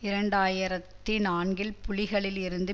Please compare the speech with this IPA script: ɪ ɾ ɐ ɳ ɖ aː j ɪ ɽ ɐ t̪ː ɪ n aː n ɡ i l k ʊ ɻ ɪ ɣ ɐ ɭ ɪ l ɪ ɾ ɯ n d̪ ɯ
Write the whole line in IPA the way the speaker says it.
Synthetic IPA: ɪ ɾ ɐ ɳ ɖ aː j ɪ ɾ ɐ t̪ː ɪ n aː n ɡ ɪ l p ʊ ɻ ɪ ɣ ɐ ɭ ɪ l ɪ ɾ ɯ n d̪ ɯ

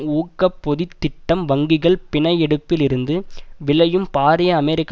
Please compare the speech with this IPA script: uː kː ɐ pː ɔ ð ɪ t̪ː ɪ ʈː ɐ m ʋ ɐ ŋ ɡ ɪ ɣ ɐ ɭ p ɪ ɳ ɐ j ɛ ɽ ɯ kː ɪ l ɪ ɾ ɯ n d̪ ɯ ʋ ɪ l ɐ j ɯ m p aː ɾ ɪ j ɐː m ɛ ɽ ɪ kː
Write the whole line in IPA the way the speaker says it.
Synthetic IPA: uː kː ɐ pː ɔ ð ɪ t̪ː ɪ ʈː ɐ m ʋ ɐ ŋ ɡ ɪ ɣ ɐ ɭ p ɪ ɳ ɐ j ɛ ɽ ɯ pː ɪ l ɪ ɾ ɯ n d̪ ɯ ʋ ɪ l ɐ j ɯ m p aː ɾ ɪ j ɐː m ɛ ɾ ɪ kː

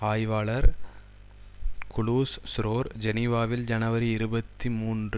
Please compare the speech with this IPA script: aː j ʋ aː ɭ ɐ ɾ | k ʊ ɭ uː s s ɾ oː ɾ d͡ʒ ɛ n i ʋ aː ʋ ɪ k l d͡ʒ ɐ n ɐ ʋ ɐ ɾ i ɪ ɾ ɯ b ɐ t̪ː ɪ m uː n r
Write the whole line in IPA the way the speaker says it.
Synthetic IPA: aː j ʋ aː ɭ ɐ ɾ | k ʊ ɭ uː s s ɾ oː ɾ d͡ʒ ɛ n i ʋ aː ʋ ɪ l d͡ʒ ɐ n ɐ ʋ ɐ ɾ i ɪ ɾ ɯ b ɐ t̪ː i m uː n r

